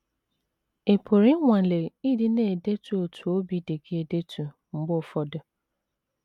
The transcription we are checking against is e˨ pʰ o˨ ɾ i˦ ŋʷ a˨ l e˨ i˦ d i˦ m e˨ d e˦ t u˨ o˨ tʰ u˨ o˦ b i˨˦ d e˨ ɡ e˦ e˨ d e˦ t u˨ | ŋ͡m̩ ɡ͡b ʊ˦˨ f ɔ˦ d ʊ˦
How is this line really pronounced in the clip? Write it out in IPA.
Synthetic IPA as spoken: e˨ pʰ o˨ ɾ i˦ ŋʷ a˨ l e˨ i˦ d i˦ n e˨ d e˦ t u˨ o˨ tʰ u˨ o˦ b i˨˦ d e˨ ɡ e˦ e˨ d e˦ t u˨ | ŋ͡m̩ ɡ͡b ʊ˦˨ f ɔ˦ d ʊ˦